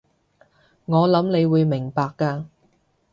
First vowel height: mid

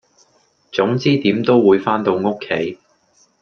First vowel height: high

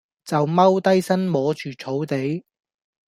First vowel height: low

